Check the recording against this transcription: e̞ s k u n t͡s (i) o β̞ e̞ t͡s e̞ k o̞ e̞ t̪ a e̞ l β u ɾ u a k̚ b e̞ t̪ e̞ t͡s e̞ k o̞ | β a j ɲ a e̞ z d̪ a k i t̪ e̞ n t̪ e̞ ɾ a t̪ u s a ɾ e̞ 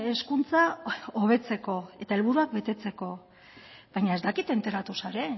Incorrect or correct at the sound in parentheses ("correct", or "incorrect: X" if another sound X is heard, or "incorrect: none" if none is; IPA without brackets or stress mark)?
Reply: incorrect: a